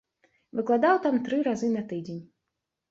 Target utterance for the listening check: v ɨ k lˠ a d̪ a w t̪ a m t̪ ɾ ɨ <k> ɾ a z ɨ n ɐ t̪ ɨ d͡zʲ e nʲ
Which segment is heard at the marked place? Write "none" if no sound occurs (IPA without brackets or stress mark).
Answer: none